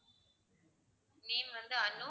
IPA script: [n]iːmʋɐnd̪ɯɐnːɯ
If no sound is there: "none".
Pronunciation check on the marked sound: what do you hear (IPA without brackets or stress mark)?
n